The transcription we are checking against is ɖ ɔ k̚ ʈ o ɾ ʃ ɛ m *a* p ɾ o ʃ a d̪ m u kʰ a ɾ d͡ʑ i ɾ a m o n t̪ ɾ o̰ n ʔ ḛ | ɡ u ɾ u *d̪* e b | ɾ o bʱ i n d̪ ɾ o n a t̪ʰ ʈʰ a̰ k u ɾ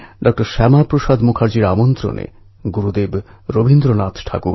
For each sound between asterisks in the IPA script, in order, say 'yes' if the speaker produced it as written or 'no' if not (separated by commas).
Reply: yes, yes